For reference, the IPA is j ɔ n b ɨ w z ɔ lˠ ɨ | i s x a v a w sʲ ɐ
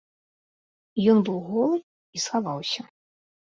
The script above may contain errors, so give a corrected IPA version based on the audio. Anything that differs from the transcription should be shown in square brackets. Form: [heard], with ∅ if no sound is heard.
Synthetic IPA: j ɔ n b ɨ w [ɣ] ɔ lˠ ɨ | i s x a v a w sʲ ɐ